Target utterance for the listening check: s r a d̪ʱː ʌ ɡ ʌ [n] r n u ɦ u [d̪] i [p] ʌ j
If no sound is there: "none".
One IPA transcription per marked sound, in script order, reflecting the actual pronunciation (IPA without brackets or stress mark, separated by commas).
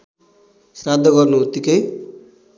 none, t̪, k